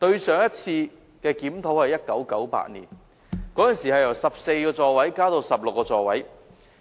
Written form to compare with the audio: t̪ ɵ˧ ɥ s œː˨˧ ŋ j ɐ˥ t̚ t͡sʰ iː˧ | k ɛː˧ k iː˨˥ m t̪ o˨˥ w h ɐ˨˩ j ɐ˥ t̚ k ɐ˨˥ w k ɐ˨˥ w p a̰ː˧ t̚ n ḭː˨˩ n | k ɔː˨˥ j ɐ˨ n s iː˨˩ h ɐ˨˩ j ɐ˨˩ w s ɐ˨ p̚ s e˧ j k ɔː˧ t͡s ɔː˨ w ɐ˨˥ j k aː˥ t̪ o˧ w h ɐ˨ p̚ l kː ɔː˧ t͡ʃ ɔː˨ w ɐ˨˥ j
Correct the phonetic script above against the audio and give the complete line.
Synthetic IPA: t̪ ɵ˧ ɥ s œː˨˧ ŋ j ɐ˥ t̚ t͡sʰ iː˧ | k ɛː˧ k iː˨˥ m t̪ʰ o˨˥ w h ɐ˨˩ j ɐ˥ t̚ k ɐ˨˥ w k ɐ˨˥ w p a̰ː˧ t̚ n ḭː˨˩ n | k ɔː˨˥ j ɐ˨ n s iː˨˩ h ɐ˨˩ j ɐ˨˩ w s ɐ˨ p̚ s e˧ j k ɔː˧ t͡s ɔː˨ w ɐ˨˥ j k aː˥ t̪ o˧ w s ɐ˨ p̚ l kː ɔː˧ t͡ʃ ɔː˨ w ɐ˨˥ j

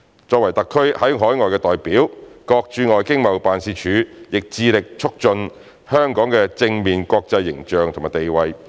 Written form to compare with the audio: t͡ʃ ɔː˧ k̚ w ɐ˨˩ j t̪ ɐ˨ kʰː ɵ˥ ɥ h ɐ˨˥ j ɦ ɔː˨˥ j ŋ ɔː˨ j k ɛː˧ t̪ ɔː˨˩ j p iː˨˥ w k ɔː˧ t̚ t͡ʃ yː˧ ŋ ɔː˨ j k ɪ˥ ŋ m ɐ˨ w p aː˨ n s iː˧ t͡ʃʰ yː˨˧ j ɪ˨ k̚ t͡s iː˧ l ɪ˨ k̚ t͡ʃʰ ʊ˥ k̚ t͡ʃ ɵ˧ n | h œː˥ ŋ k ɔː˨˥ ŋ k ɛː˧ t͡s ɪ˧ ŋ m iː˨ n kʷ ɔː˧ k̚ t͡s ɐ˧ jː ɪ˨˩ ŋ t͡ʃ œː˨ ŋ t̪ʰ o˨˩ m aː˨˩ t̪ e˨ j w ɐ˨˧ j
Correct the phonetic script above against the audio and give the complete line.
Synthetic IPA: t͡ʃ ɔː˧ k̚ w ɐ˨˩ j t̪ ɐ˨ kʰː ɵ˥ ɥ h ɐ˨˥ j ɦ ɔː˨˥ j ŋ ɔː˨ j k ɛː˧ t̪ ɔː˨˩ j p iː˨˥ w k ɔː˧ k̚ t͡ʃ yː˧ ŋ ɔː˨ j k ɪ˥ ŋ m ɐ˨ w p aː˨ n s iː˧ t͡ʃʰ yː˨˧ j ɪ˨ k̚ t͡s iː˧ l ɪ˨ k̚ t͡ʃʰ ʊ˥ k̚ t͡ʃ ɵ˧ n | h œː˥ ŋ k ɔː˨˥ ŋ k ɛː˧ t͡s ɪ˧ ŋ m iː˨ n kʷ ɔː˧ k̚ t͡s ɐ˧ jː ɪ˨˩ ŋ t͡ʃ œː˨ ŋ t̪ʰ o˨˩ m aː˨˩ t̪ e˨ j w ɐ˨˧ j

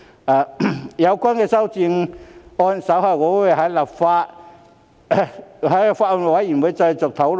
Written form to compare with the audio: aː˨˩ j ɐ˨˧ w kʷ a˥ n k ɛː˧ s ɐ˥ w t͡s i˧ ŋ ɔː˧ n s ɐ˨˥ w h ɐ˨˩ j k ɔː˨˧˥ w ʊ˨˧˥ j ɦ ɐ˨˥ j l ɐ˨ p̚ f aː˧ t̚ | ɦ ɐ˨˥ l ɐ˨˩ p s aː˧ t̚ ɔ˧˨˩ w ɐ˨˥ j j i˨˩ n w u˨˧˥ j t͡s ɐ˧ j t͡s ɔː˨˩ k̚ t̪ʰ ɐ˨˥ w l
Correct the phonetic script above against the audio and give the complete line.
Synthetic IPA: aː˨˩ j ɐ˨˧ w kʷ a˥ n k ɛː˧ s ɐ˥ w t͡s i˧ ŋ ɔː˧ n s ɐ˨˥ w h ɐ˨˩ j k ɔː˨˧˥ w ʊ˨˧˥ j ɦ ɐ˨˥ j l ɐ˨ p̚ f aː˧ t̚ | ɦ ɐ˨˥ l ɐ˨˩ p f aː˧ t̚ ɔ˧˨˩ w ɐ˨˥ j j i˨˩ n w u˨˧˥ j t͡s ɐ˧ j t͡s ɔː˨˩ k̚ t̪ʰ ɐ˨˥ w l

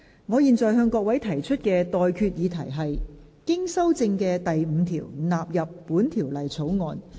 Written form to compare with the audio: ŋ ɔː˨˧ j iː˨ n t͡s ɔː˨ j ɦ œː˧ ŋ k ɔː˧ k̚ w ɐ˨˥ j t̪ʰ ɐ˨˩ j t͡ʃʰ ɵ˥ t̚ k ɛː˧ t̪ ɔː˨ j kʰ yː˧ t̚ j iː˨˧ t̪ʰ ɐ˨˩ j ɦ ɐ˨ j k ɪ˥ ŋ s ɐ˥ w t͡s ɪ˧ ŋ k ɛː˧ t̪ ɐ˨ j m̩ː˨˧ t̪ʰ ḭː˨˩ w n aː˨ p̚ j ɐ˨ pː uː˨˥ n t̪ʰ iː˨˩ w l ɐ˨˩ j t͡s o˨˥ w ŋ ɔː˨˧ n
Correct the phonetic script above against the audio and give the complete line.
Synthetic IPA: ŋ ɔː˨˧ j iː˨ n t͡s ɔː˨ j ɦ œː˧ ŋ k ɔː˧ k̚ w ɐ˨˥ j t̪ʰ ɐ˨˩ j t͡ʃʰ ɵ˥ t̚ k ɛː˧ t̪ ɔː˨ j kʰ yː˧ t̚ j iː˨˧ t̪ʰ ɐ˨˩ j ɦ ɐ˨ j k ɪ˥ ŋ s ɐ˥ w t͡s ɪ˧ ŋ k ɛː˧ t̪ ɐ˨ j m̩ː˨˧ t̪ʰ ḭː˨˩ w n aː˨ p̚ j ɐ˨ pː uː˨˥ n t̪ʰ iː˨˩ w l ɐ˨˩ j t͡sʰ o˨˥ w ŋ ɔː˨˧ n

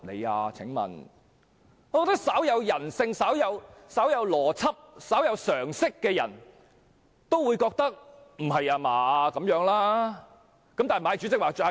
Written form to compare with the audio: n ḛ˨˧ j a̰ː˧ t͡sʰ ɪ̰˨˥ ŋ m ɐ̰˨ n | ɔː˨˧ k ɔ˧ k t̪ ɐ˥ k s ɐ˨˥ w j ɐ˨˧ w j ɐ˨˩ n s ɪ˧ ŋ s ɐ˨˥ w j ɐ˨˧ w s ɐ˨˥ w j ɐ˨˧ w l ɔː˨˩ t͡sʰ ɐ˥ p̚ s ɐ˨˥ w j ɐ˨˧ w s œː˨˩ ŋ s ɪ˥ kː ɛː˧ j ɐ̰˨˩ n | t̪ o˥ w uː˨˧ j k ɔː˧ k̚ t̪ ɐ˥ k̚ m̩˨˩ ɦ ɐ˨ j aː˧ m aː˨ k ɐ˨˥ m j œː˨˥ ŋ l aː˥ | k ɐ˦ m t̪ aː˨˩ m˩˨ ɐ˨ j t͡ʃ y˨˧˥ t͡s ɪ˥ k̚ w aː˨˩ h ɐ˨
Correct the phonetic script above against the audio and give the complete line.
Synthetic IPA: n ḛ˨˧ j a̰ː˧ t͡sʰ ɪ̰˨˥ ŋ m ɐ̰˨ n | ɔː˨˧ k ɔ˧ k t̪ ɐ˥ k s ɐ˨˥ w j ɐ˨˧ w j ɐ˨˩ n s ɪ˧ ŋ s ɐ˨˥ w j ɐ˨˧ w s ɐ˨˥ w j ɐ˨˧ w l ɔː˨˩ t͡sʰ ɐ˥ p̚ s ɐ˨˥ w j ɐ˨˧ w s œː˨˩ ŋ s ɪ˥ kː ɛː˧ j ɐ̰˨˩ n | t̪ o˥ w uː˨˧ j k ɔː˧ k̚ t̪ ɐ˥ k̚ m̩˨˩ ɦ ɐ˨ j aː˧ m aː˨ k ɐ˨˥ m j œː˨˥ ŋ l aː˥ | k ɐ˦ m t̪ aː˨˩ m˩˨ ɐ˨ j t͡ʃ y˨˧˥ t͡s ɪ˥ k̚ w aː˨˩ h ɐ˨

